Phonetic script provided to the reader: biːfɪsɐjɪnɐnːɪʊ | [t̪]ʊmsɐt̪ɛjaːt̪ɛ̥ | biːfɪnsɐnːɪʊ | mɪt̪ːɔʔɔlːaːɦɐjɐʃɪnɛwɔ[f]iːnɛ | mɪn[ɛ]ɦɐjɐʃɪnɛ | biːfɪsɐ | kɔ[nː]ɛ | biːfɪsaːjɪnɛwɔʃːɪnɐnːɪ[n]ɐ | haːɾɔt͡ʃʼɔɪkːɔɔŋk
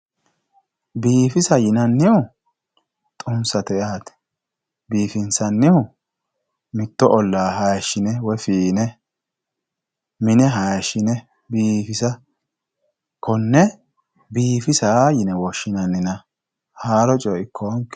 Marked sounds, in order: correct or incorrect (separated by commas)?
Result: incorrect, correct, correct, correct, correct